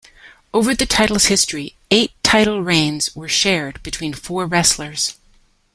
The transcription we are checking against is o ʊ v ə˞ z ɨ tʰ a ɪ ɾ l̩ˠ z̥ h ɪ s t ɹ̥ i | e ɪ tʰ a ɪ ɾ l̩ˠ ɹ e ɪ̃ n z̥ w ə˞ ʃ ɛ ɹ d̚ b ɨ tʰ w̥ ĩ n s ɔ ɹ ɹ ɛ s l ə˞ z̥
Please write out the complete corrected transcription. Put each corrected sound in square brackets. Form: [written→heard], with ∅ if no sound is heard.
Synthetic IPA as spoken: o ʊ v ə˞ [z→ð] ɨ tʰ a ɪ ɾ l̩ˠ z̥ h ɪ s t ɹ̥ i | e ɪ tʰ a ɪ ɾ l̩ˠ ɹ [e→ẽ] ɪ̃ n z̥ w ə˞ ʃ ɛ ɹ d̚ b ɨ tʰ w̥ ĩ n [s→f] ɔ ɹ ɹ ɛ s l ə˞ z̥